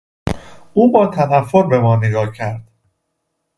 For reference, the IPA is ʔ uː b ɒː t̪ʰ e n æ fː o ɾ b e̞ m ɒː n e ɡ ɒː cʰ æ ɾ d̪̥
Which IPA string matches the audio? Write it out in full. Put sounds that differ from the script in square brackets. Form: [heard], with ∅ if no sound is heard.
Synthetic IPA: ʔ uː b ɒː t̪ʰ [æ] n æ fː o ɾ b e̞ m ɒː n e ɡ ɒː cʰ æ ɾ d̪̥